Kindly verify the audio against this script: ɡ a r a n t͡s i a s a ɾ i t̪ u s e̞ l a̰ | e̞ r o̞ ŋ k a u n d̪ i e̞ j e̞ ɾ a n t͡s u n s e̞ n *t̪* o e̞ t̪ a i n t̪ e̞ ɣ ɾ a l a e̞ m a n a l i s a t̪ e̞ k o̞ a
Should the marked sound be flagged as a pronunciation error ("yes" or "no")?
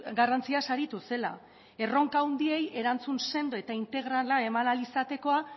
yes